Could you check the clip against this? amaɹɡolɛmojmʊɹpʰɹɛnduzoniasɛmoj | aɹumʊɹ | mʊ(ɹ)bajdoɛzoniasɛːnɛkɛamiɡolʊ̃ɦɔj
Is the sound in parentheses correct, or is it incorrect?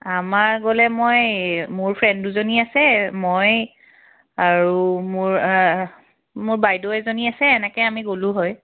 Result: correct